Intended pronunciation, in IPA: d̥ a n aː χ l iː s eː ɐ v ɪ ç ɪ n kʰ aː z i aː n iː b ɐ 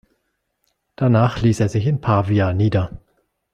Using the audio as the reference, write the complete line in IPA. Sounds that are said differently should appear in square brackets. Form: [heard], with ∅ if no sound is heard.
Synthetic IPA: d̥ a n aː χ l iː s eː ɐ [z] ɪ ç ɪ n [pʰ] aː [v] i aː n iː [d] ɐ